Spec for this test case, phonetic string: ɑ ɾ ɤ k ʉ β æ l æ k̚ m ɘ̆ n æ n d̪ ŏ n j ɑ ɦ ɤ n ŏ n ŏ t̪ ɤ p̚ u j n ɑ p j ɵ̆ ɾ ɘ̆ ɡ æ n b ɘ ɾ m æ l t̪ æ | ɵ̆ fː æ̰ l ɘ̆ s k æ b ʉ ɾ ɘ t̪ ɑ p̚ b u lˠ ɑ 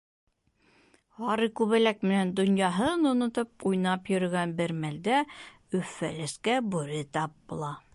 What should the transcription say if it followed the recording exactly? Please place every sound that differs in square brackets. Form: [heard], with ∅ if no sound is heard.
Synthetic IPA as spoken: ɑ ɾ ɤ k ʉ β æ l æ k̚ m ɘ̆ n æ n d̪ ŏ n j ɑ ɦ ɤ n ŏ n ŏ t̪ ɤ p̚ u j n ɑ p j ɵ̆ ɾ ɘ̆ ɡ æ n b ɘ ɾ m æ l [d̪] æ | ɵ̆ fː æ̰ l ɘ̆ s k æ b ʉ ɾ ɘ t̪ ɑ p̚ b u lˠ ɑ

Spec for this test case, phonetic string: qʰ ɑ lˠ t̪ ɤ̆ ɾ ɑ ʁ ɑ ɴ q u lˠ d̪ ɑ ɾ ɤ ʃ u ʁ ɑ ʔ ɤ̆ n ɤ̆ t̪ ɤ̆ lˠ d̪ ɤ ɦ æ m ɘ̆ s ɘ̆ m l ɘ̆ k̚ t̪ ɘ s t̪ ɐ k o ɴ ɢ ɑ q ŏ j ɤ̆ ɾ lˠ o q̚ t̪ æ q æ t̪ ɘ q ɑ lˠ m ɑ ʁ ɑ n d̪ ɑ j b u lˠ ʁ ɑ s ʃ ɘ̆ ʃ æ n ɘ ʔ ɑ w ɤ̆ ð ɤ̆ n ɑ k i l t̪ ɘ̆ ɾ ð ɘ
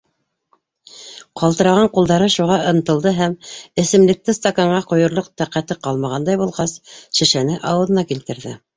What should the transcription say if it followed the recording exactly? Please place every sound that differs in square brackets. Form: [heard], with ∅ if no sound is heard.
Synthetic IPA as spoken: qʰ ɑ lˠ t̪ ɤ̆ ɾ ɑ ʁ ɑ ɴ q u lˠ d̪ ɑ ɾ ɤ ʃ u ʁ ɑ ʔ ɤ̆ n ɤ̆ t̪ ɤ̆ lˠ d̪ ɤ ɦ æ m ɘ̆ s ɘ̆ m l ɘ̆ k̚ t̪ ɘ s t̪ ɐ k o ɴ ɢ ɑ q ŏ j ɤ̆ ɾ lˠ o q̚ t̪ æ q æ t̪ ɘ q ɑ lˠ m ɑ ʁ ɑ n d̪ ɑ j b u lˠ ʁ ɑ s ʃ ɘ̆ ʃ æ n ɘ ʔ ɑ w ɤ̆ ð ɤ̆ n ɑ k i l t̪ ɘ̆ ɾ ð ɘ

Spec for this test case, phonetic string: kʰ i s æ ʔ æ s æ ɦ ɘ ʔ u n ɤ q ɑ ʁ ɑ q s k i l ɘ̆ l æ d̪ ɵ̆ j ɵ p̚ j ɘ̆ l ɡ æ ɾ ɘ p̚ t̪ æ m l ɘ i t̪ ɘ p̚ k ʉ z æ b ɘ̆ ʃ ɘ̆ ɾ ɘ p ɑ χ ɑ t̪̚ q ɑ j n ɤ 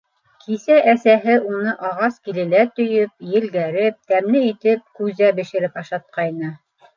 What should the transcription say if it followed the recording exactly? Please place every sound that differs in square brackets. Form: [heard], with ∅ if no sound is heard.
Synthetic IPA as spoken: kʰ i s æ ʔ æ s æ ɦ ɘ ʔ u n ɤ [ʔ] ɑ ʁ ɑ [∅] s k i l ɘ̆ l æ [t̪] ɵ̆ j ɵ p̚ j ɘ̆ l ɡ æ ɾ ɘ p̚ t̪ æ m l ɘ i t̪ ɘ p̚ k ʉ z æ b ɘ̆ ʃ ɘ̆ ɾ ɘ p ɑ [ʃ] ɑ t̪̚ q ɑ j n ɤ

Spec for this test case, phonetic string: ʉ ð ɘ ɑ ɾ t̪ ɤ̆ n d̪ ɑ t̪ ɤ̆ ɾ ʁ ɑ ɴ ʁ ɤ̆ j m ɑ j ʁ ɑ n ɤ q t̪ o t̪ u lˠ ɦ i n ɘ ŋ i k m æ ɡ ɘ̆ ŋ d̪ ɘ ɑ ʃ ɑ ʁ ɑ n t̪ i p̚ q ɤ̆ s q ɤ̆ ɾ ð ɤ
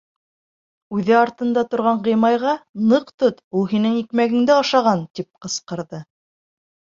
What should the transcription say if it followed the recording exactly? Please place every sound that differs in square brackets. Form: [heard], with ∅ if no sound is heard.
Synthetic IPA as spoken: ʉ ð ɘ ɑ ɾ t̪ ɤ̆ n d̪ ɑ t̪ [ŏ] ɾ ʁ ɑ ɴ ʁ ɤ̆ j m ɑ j ʁ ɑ n ɤ q t̪ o t̪ u lˠ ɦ i n ɘ ŋ i k m æ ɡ ɘ̆ ŋ d̪ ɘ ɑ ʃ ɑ ʁ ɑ n t̪ i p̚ q ɤ̆ s q ɤ̆ ɾ ð ɤ

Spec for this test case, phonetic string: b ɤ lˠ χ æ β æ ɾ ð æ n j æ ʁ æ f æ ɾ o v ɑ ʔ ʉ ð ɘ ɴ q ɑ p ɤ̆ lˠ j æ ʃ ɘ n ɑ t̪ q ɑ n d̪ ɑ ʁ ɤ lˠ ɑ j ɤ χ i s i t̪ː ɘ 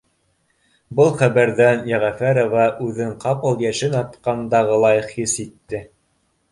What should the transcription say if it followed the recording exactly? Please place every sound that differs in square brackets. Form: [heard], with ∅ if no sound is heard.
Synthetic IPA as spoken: b ɤ lˠ χ æ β æ ɾ ð æ n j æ ʁ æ f æ ɾ o v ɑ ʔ ʉ ð ɘ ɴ q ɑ p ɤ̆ lˠ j æ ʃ ɘ n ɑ t̪ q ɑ n d̪ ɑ ʁ ɤ lˠ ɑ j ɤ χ i s i t̪ː ɘ

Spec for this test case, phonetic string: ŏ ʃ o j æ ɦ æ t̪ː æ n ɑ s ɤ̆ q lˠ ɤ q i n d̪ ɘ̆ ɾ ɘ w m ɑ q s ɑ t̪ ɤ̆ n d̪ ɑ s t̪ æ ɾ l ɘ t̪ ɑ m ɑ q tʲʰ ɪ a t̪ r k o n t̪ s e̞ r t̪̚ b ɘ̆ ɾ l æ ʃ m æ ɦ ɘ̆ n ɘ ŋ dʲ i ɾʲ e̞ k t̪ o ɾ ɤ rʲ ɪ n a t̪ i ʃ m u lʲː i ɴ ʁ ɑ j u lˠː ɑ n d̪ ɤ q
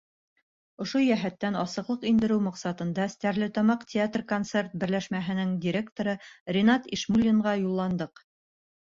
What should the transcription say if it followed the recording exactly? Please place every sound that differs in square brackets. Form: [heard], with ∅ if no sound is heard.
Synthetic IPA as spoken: ŏ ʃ o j æ ɦ æ t̪ː æ n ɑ s ɤ̆ q lˠ ɤ q i n d̪ ɘ̆ ɾ ɘ w m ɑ q s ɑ t̪ ɤ̆ n d̪ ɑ s t̪ æ ɾ l ɘ t̪ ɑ m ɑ q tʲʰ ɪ a t̪ r k o n t̪ s e̞ r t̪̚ b ɘ̆ ɾ l æ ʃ m æ ɦ ɘ̆ n ɘ ŋ dʲ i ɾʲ e̞ k t̪ o ɾ ɤ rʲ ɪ n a t̪ i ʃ m u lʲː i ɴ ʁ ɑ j u lˠː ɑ n d̪ ɤ q

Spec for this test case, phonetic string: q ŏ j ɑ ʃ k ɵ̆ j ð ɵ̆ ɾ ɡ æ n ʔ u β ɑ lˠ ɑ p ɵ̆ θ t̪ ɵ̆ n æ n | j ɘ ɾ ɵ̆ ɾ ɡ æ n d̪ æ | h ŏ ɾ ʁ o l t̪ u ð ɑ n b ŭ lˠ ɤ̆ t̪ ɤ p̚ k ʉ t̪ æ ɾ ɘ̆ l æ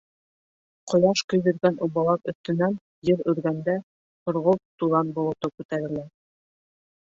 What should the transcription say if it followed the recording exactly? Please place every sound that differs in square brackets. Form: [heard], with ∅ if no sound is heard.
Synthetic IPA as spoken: q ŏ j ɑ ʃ k ɵ̆ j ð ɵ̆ ɾ ɡ æ n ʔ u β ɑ lˠ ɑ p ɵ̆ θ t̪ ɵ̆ n æ n | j ɘ ɾ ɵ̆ ɾ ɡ æ n d̪ æ | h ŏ ɾ ʁ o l t̪ u ð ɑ n b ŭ lˠ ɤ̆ t̪ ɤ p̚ k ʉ t̪ æ ɾ ɘ̆ l æ

